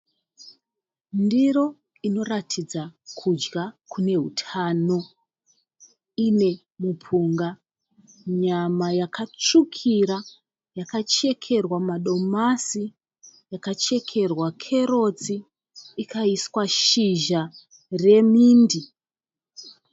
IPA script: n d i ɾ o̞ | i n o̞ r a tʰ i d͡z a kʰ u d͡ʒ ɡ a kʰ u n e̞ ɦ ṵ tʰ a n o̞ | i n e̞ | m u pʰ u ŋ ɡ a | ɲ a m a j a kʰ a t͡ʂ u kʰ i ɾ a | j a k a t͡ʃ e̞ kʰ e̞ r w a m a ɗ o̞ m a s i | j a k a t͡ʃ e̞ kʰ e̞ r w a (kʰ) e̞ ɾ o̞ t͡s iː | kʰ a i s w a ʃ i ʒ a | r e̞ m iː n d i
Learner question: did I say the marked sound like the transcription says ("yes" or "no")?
yes